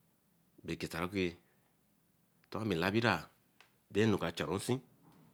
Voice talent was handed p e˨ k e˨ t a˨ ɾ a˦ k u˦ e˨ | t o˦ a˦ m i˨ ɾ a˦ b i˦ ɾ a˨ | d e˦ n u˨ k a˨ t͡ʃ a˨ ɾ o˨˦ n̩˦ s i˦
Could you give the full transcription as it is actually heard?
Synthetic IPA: b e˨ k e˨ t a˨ ɾ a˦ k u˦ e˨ | t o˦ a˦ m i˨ l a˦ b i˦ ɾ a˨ | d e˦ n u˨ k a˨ t͡ʃ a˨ ɾ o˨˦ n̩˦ s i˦